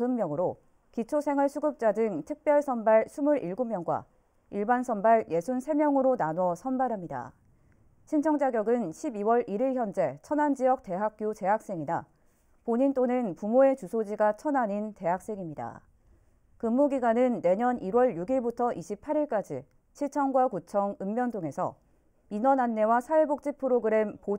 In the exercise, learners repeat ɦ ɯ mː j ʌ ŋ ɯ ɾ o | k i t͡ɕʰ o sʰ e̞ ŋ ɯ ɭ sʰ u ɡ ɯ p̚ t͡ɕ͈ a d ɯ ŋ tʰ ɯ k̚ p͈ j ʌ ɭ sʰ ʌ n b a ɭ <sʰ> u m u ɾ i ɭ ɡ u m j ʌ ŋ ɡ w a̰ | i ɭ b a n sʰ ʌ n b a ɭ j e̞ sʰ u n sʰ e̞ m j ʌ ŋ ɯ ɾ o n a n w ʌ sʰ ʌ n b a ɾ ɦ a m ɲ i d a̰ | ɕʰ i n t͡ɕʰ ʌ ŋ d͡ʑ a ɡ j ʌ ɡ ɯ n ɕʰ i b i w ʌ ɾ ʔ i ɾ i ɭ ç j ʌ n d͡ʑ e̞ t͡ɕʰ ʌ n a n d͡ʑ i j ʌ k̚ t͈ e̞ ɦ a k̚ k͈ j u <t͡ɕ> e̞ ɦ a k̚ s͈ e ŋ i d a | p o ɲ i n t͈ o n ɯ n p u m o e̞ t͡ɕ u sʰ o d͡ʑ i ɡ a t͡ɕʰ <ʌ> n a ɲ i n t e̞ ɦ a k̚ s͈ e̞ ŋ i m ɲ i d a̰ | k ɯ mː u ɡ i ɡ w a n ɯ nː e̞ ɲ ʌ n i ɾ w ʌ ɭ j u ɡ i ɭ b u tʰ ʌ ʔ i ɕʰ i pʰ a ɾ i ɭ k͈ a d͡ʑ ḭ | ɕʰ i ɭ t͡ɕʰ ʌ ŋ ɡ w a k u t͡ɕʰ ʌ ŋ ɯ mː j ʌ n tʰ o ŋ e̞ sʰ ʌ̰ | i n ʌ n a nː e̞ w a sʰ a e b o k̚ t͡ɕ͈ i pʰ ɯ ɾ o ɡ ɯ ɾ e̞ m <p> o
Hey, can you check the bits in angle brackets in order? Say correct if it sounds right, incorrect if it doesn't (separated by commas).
correct, correct, correct, correct